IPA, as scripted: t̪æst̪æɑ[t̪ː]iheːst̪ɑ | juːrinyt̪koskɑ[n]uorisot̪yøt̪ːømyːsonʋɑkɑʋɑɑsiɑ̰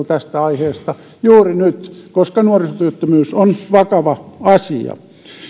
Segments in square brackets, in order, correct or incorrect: incorrect: none, correct

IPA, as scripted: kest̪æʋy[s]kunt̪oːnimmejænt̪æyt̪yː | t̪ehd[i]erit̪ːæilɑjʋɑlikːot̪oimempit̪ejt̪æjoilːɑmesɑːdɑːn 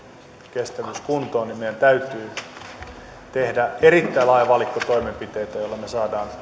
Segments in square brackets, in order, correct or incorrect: correct, incorrect: æ

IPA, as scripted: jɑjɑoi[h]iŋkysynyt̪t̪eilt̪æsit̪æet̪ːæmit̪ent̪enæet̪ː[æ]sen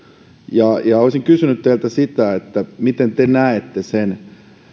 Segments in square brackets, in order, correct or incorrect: incorrect: s, incorrect: e

